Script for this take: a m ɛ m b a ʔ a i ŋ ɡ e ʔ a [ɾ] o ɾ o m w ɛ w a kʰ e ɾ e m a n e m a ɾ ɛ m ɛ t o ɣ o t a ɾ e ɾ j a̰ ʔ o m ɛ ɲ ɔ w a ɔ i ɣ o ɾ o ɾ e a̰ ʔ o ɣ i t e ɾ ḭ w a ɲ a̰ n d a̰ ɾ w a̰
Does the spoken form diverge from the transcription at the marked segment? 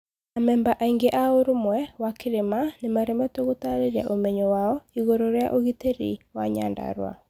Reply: yes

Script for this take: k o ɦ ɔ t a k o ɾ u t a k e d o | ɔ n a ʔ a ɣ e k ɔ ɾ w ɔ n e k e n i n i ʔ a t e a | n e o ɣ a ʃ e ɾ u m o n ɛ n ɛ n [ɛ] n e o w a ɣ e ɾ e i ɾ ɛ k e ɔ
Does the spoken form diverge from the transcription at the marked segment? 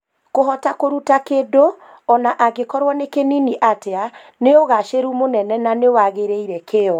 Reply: yes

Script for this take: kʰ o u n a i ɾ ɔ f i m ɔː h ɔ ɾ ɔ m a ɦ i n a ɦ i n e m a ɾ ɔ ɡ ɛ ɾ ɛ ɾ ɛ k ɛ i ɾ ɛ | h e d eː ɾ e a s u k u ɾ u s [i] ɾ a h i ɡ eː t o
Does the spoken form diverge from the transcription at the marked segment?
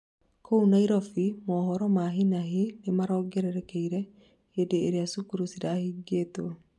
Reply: no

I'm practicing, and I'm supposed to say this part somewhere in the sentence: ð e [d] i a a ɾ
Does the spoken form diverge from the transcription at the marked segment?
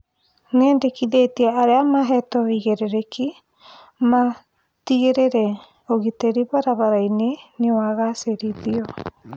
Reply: yes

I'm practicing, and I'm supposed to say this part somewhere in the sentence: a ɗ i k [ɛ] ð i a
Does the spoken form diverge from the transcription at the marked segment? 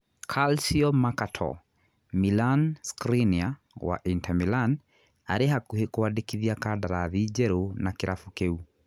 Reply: yes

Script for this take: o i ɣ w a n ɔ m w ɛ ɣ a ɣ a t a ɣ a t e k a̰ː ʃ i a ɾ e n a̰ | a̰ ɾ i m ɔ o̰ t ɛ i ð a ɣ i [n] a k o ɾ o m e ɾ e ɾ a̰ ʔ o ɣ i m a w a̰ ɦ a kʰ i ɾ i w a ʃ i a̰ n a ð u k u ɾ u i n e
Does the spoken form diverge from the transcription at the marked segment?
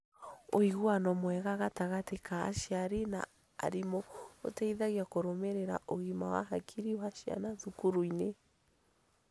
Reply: yes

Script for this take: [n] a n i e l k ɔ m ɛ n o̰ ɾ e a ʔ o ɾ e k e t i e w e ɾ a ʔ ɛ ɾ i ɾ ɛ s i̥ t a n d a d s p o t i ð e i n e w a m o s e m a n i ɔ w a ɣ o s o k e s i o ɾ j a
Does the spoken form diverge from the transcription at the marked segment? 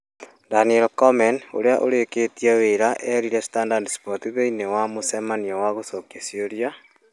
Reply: yes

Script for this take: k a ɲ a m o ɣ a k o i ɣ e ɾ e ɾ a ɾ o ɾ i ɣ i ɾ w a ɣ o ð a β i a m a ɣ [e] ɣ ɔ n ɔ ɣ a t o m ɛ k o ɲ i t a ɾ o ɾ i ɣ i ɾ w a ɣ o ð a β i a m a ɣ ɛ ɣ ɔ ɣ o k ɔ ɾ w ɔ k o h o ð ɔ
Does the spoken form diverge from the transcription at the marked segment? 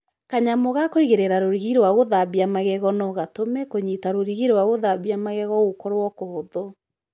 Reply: yes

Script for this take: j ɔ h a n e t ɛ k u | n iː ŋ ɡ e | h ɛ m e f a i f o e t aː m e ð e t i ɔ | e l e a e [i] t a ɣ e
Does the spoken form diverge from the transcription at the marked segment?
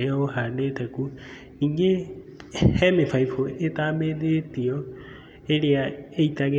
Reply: no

